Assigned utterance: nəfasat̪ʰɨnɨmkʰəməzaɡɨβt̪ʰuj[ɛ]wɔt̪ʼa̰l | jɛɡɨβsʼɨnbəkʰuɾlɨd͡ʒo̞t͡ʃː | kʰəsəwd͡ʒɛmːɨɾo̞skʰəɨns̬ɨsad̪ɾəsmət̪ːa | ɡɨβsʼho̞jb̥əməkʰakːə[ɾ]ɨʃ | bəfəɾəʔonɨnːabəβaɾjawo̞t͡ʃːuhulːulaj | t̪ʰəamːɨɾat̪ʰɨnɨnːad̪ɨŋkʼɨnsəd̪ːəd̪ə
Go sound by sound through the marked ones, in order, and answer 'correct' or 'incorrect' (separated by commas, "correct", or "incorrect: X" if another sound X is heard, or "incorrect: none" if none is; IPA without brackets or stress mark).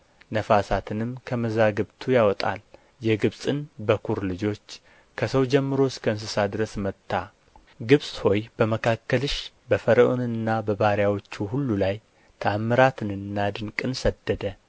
incorrect: a, incorrect: l